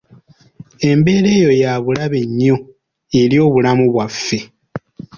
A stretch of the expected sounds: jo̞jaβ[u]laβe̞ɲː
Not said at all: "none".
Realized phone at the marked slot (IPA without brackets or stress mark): u